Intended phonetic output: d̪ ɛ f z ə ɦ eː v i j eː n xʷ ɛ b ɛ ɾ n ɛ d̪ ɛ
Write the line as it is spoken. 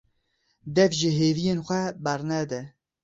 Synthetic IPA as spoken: d̪ ɛ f ʒ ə ɦ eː v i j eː n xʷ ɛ b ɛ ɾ n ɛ d̪ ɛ